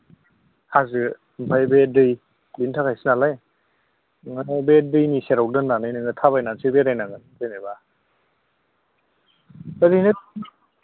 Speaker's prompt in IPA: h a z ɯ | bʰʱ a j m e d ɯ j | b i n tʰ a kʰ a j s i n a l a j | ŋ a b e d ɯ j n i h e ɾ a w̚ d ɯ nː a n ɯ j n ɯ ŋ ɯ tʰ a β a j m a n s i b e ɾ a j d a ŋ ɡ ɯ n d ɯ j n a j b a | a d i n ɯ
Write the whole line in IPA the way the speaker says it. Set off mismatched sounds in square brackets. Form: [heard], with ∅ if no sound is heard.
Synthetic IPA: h a z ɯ | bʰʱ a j [b] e d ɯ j | b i n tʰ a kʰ a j s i n a l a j | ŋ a b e d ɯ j n i [s] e ɾ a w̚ d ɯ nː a n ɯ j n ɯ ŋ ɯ tʰ a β a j [n] a n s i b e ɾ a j [n] a ŋ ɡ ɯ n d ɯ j n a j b a | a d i n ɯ